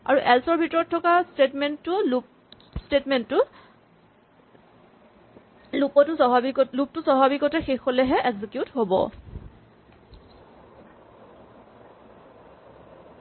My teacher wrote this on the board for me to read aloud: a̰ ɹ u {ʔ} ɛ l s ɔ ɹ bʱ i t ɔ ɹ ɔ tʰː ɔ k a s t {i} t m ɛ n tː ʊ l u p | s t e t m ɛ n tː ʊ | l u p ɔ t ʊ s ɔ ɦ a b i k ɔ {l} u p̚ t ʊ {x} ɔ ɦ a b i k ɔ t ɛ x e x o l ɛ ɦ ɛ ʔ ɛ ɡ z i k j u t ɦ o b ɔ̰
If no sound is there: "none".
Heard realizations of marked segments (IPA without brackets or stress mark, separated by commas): ʔ, e, l, s